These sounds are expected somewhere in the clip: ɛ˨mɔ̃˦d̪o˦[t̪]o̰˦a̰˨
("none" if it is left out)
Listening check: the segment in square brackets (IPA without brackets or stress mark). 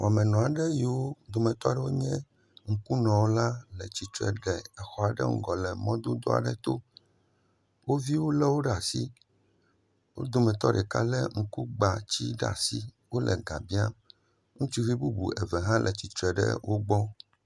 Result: d̪